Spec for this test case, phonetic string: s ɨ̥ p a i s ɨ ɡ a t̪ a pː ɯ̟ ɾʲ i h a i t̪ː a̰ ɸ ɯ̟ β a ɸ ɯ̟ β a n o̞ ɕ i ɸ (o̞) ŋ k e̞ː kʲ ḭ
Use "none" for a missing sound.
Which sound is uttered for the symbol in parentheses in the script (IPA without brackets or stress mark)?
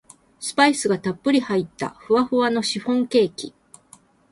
õ̞